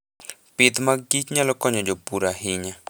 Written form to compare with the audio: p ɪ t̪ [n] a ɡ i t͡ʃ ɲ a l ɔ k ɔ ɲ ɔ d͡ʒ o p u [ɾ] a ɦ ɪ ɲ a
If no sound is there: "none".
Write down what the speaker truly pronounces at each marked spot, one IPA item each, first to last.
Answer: m, ɾ

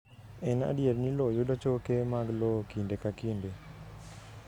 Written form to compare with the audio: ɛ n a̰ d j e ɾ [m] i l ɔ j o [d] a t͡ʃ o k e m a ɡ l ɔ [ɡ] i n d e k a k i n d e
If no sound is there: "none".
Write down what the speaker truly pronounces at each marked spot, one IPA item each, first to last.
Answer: n, d, k

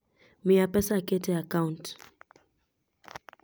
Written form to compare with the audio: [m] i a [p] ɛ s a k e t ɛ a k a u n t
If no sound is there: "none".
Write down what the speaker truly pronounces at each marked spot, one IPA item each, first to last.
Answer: m, p

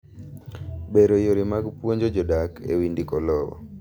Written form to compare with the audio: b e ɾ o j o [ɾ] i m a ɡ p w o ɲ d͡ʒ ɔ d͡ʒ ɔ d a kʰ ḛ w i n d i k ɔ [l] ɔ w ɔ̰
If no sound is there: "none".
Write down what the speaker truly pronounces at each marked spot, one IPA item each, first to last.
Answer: ɾ, l

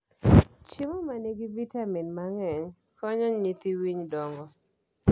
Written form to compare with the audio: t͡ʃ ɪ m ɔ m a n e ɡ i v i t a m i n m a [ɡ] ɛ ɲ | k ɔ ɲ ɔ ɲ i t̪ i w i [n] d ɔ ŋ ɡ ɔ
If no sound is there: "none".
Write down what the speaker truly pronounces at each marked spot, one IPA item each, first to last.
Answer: ŋ, ɲ

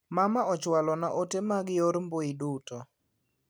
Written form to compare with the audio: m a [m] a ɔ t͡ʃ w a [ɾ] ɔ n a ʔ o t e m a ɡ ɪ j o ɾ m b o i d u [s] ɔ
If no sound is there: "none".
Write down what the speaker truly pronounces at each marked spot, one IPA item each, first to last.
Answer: m, l, t

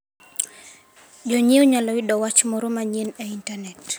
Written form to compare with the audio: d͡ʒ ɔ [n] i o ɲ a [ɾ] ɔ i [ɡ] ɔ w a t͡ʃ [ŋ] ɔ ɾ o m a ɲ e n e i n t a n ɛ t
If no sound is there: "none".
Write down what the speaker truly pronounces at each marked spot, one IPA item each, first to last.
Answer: ɲ, l, d, m

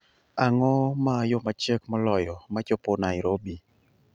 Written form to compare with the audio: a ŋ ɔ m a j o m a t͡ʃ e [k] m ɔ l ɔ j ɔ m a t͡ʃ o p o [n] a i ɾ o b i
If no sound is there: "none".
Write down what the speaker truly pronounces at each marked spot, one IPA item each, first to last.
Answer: k, n

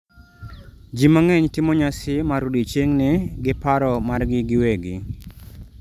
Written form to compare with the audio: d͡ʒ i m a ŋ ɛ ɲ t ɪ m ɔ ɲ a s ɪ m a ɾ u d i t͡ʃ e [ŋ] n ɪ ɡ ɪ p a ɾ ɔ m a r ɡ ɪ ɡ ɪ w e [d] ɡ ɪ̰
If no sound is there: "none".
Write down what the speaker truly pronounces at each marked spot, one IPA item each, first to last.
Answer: ŋ, none

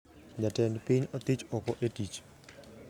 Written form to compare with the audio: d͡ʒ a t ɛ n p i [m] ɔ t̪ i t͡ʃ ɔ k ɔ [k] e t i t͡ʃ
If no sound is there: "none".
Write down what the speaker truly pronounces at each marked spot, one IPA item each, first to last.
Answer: ɲ, ʔ

